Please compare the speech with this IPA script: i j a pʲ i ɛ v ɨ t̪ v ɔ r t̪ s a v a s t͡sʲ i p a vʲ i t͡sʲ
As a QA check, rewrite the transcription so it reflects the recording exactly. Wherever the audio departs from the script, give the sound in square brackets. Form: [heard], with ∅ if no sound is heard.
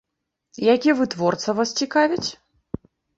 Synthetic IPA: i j a [kʲ] i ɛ v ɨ t̪ v ɔ r t̪ s [ɐ] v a s t͡sʲ i [k] a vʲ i t͡sʲ